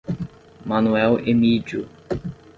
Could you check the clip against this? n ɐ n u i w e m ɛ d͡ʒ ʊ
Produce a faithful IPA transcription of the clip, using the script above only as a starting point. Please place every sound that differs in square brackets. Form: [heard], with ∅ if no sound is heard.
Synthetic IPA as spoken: [m] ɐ n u [ɛ] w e m [i] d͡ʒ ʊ